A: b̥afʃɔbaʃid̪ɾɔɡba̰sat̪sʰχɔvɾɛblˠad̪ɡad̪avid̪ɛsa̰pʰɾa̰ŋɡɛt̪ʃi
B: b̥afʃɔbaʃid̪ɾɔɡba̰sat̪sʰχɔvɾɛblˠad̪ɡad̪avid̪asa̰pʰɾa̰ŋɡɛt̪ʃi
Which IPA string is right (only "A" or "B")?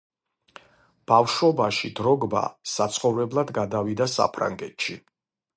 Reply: B